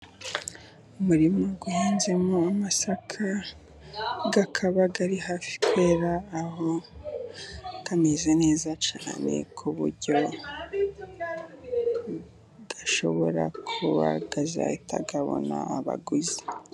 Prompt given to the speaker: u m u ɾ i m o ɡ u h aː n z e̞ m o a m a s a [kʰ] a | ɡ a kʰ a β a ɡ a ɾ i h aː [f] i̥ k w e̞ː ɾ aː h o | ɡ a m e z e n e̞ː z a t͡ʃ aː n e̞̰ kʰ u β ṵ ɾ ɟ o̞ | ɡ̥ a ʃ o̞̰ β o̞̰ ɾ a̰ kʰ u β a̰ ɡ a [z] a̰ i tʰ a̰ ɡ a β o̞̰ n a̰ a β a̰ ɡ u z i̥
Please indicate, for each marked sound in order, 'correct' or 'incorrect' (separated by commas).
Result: correct, correct, correct